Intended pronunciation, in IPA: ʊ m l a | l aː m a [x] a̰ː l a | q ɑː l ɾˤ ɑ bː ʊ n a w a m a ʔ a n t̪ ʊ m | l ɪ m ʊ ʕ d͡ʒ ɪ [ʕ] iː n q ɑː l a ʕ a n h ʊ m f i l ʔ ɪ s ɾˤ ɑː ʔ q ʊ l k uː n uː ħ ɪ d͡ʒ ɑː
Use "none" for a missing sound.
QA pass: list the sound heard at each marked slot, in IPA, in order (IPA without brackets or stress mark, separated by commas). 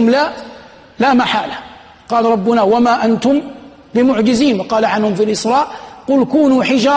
ħ, z